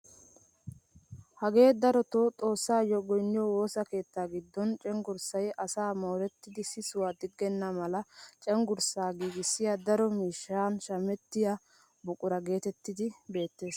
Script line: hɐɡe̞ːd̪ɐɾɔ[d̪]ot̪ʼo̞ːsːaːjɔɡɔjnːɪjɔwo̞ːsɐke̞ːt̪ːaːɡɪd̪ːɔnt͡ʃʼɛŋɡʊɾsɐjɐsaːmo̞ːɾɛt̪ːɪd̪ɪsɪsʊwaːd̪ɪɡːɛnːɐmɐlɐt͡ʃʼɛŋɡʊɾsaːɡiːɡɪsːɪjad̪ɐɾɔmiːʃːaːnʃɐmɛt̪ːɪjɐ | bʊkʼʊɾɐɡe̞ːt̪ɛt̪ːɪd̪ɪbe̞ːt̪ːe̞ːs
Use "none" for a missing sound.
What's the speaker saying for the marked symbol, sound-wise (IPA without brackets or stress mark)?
t̪